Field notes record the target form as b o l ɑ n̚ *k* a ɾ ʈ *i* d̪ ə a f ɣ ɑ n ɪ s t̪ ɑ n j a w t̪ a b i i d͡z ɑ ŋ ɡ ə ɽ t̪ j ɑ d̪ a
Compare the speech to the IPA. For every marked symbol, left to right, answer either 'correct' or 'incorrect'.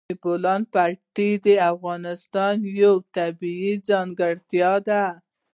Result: incorrect, correct

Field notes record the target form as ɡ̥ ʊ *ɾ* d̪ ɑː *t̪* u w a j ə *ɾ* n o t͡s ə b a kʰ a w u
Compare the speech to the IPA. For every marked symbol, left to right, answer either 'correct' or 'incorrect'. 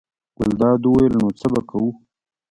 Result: incorrect, incorrect, incorrect

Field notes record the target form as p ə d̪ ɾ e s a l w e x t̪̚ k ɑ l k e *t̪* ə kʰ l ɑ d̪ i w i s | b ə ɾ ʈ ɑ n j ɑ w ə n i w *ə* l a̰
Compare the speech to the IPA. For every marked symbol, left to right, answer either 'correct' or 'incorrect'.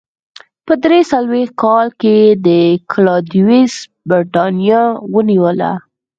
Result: incorrect, correct

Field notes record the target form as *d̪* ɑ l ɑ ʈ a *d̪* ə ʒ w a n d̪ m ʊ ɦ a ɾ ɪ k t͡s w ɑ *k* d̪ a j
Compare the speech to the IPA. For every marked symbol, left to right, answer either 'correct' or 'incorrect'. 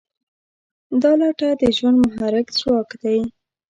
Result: correct, correct, correct

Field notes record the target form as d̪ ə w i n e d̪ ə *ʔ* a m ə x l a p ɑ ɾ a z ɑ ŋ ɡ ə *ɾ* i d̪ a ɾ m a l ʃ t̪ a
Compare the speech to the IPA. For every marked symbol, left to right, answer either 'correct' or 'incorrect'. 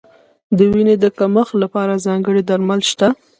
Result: incorrect, incorrect

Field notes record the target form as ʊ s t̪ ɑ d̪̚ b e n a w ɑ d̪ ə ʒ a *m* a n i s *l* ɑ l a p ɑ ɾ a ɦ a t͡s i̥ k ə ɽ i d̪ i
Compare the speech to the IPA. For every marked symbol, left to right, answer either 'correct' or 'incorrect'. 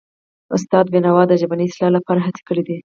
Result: incorrect, correct

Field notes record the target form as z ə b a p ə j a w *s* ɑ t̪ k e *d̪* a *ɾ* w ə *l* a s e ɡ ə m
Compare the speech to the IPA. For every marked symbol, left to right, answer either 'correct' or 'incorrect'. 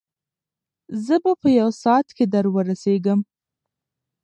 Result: correct, correct, correct, incorrect

